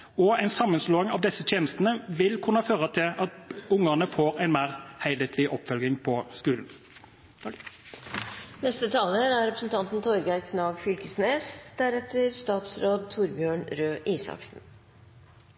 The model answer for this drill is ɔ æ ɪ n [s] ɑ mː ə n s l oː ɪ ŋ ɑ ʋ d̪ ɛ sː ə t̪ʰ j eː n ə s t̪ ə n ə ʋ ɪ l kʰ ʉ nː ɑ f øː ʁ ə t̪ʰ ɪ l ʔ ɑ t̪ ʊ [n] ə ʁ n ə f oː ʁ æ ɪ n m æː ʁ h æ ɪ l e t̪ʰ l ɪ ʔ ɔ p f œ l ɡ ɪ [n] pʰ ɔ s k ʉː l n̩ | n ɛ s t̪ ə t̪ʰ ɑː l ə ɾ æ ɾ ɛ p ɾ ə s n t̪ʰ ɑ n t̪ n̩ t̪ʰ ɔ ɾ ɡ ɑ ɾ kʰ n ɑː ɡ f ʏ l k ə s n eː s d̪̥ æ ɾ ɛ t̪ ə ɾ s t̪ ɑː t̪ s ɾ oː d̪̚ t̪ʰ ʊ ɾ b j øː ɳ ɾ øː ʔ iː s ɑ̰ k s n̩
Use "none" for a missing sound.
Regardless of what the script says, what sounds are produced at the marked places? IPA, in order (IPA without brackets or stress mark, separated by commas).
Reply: s, ŋ, ŋ